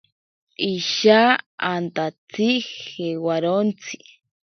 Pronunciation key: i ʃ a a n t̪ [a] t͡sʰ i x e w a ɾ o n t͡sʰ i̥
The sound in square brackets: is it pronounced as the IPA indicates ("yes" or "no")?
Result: yes